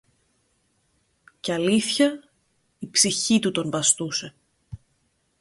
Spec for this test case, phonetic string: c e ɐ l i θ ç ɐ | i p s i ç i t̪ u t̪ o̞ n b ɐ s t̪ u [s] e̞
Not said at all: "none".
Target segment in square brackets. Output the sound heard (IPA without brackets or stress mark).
s